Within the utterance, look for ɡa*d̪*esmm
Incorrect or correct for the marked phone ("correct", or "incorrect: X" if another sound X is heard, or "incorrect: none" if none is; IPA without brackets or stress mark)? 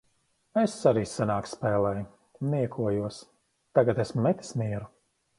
incorrect: t̪